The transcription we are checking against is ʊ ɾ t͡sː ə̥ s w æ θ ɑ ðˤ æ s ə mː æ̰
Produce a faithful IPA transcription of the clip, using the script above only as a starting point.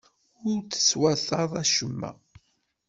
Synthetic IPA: ʊ ɾ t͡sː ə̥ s w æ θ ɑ ðˤ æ ʃ ə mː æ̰